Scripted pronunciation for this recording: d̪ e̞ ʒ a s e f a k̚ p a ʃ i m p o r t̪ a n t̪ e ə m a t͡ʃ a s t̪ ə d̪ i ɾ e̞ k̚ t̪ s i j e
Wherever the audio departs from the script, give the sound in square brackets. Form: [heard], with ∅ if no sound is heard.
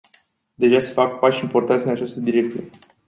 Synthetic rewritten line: d̪ e̞ ʒ a s e f a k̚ p a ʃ i m p o r t̪ a n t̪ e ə [n] a t͡ʃ a s t̪ ə d̪ i ɾ e̞ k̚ t̪ s i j e